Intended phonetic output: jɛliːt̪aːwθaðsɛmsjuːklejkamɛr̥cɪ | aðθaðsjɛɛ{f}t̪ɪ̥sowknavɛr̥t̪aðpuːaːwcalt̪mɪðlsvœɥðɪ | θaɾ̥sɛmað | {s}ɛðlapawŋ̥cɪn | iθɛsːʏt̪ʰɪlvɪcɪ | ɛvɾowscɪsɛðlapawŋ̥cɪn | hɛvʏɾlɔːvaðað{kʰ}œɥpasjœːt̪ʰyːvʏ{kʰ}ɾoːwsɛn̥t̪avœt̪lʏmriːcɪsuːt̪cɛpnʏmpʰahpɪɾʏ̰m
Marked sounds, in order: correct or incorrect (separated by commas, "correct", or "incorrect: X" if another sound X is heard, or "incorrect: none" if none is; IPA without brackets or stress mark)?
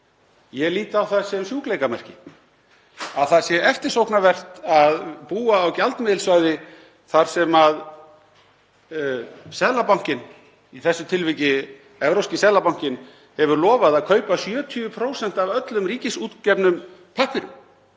correct, correct, correct, incorrect: pʰ